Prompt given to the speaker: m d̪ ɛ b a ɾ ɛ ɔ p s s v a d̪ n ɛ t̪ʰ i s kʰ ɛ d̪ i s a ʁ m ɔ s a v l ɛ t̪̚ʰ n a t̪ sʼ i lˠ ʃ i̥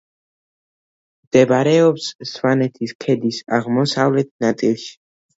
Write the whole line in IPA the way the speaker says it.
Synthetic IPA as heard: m d̪ ɛ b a ɾ ɛ ɔ p s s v a n ɛ t̪ʰ i s kʰ ɛ d̪ i s a ʁ m ɔ s a v l ɛ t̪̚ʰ n a t̪ sʼ i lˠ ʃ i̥